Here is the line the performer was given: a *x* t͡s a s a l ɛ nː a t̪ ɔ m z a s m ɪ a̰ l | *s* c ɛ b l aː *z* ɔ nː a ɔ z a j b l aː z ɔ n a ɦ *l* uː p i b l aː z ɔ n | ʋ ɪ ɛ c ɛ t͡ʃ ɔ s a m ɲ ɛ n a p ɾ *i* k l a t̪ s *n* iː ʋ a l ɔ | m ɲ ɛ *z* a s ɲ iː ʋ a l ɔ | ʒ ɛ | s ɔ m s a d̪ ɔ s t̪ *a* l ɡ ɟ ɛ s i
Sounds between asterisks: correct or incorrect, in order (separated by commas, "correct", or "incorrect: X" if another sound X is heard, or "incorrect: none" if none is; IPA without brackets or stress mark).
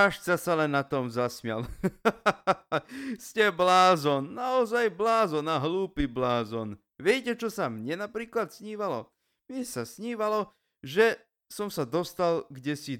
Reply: incorrect: ʃ, correct, correct, correct, incorrect: iː, incorrect: ɲ, incorrect: s, correct